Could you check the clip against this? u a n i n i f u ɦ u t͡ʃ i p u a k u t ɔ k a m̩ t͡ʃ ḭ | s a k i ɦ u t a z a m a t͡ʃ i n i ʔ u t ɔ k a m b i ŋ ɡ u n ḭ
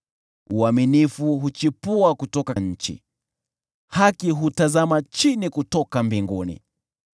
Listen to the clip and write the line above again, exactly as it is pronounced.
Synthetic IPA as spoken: u a m i n i f u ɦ u t͡ʃ i p u a k u t ɔ k a ɲ̩ t͡ʃ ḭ | h a k i ɦ u t a z a m a t͡ʃ i n i k u t ɔ k a m b i ŋ ɡ u n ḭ